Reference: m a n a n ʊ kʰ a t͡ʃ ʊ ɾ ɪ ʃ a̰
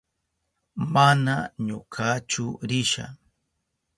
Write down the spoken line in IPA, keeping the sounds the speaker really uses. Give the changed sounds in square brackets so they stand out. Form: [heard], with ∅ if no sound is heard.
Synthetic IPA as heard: m a n a [ɲ] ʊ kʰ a t͡ʃ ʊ ɾ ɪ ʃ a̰